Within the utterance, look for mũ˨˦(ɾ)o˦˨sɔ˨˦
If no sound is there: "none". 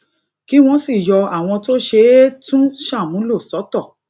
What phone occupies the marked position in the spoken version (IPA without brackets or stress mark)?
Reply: l